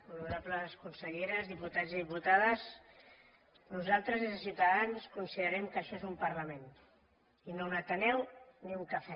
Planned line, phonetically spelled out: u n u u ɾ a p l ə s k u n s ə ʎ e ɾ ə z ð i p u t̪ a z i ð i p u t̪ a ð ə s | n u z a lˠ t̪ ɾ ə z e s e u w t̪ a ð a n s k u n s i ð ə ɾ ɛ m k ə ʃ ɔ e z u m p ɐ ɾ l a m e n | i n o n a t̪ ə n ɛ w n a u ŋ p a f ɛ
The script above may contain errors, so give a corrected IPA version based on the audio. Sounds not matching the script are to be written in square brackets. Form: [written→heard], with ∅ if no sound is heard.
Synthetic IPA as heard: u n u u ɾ a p l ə s k u n s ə ʎ e ɾ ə z ð i p u t̪ a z i ð i p u t̪ a ð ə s | n u z a lˠ t̪ ɾ ə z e s [e→i] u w t̪ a ð a n s k u n s i ð ə ɾ ɛ m k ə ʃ ɔ e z u m p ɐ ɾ l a m e n | i n o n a t̪ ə n ɛ w n [a→i] u ŋ [p→k] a f ɛ

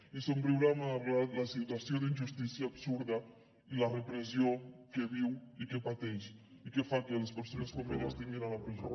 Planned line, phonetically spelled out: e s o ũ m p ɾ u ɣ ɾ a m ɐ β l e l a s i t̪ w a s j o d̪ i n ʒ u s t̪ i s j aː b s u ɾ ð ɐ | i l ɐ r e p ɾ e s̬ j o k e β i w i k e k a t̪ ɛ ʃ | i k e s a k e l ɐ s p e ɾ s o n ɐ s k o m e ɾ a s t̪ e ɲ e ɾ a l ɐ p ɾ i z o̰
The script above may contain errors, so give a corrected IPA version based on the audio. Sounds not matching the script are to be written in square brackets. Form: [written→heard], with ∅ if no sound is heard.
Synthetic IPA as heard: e s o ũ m p ɾ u ɣ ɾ a m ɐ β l [e→a] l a s i t̪ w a s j o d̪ i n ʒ u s t̪ i s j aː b s u ɾ ð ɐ | i l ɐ r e p ɾ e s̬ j o k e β i w i k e [k→p] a t̪ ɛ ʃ | i k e [s→f] a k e l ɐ s p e ɾ s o n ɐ s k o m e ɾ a s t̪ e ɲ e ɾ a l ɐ p ɾ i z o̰

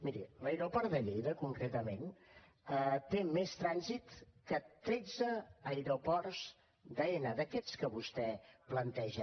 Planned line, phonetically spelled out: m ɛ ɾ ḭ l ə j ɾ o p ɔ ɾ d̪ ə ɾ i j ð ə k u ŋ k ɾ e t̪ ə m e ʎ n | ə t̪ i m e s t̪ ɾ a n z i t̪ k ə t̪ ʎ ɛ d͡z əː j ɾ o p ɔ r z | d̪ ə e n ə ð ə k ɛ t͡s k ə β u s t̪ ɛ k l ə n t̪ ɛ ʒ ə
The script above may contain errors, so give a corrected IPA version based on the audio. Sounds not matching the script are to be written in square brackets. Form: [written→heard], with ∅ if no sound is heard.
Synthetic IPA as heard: m [ɛ→i] ɾ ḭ l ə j ɾ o p ɔ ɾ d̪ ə [ɾ→ʎ] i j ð ə k u ŋ k ɾ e t̪ ə m e [ʎ→∅] n | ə t̪ [i→e] m e s t̪ ɾ a n z i t̪ k ə t̪ [ʎ→ɾ] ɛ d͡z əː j ɾ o p ɔ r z | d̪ ə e n ə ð ə k ɛ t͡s k ə β u s t̪ ɛ [k→p] l ə n t̪ ɛ ʒ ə

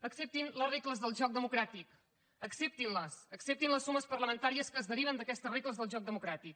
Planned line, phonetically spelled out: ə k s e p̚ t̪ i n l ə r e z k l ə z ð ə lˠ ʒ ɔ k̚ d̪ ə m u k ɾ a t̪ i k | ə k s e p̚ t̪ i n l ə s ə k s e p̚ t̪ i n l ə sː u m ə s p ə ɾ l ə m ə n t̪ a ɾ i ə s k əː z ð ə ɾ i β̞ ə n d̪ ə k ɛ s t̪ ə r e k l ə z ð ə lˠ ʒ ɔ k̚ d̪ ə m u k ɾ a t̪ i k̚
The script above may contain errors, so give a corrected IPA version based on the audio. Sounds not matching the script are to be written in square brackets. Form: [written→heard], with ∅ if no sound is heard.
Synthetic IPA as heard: ə k s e p̚ t̪ i n l ə r e [z→∅] k l ə z ð ə lˠ ʒ ɔ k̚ d̪ ə m u k ɾ a t̪ i k | ə k s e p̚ t̪ i n l ə s ə k s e p̚ t̪ i n l ə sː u m ə s p ə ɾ l ə m ə n t̪ a ɾ i ə s k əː z ð ə ɾ i β̞ ə n d̪ ə k ɛ s t̪ ə r e k l ə z ð ə lˠ ʒ ɔ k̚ d̪ ə m u k ɾ a t̪ i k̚

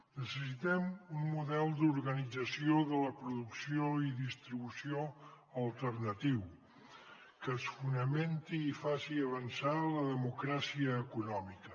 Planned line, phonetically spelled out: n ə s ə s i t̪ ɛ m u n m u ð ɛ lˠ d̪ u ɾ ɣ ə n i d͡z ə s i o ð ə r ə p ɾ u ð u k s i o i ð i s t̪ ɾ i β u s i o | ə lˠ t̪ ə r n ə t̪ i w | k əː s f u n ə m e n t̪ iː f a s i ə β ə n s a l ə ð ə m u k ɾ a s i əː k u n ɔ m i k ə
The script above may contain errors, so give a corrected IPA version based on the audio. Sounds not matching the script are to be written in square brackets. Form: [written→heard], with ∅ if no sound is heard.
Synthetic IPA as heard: n ə s ə s i t̪ ɛ m u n m u ð ɛ lˠ d̪ u ɾ ɣ ə n i d͡z ə s i o ð ə [r→l] ə p ɾ u ð u k s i o i ð i s t̪ ɾ i β u s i o | ə lˠ t̪ ə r n ə t̪ i w | k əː s f u n ə m e n t̪ iː f a s i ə β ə n s a l ə ð ə m u k ɾ a s i əː k u n ɔ m i k ə

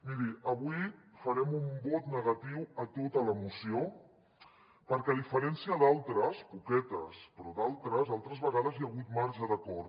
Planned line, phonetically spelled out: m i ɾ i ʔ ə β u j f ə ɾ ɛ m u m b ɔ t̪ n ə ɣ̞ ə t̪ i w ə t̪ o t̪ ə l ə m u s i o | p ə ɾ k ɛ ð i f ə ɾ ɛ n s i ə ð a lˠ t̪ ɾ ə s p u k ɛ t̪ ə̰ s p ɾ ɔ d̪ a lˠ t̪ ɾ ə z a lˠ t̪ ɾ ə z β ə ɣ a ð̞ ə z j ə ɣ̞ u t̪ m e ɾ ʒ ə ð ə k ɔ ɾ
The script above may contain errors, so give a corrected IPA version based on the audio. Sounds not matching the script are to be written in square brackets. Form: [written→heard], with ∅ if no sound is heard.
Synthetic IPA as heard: m i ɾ i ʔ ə β u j f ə ɾ ɛ m u m b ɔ t̪ n ə ɣ̞ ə t̪ i w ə t̪ o t̪ ə l ə m u s i o | p ə ɾ k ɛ ð i f ə ɾ ɛ n s i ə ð a lˠ t̪ ɾ ə s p u k ɛ t̪ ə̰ s p ɾ ɔ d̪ a lˠ t̪ ɾ ə z a lˠ t̪ ɾ ə z β ə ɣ a ð̞ ə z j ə ɣ̞ u t̪ m [e→a] ɾ ʒ ə ð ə k ɔ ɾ

